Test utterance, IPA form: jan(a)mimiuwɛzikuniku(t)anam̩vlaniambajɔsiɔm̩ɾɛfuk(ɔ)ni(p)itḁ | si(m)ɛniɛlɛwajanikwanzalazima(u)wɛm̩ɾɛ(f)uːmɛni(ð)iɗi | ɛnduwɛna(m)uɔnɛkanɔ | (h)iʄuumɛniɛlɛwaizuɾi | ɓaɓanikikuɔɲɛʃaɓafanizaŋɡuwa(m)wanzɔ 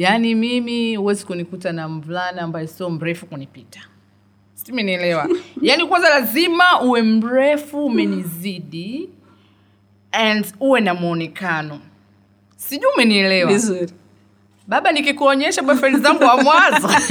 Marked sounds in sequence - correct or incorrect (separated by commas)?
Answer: incorrect, correct, incorrect, correct, correct, correct, correct, incorrect, correct, incorrect, correct